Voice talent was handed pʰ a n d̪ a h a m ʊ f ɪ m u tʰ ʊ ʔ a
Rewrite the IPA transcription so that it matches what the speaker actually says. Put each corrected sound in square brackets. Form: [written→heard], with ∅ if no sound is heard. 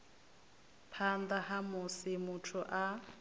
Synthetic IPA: pʰ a n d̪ a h a m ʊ [f→s] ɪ m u tʰ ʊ ʔ a